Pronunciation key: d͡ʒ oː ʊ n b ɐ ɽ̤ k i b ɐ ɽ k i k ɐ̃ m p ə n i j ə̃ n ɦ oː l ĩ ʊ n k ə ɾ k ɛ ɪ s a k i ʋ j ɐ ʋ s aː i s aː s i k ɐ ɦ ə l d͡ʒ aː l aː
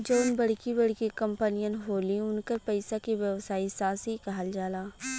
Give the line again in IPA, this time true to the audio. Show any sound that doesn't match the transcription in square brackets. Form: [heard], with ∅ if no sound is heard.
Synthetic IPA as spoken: d͡ʒ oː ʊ n b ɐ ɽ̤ k i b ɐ ɽ k i k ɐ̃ m p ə n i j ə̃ n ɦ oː l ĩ ʊ n k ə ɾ [p] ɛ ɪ s a k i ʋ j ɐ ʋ s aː i s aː s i k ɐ ɦ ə l d͡ʒ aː l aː